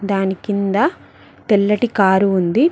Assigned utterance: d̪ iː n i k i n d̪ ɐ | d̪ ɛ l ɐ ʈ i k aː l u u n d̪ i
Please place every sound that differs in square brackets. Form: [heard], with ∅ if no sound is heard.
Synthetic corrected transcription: d̪ [aː] n i k i n d̪ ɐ | [t̪] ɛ [lː] ɐ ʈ i k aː [ɾ] u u n d̪ i